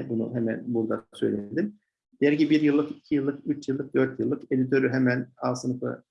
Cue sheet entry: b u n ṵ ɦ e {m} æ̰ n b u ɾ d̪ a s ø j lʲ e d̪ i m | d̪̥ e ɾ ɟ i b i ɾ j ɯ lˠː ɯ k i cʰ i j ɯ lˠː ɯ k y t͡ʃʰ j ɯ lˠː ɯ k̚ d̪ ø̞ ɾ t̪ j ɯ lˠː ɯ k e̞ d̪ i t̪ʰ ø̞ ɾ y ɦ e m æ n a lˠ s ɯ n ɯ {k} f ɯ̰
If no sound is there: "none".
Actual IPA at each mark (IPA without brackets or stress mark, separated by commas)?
m, none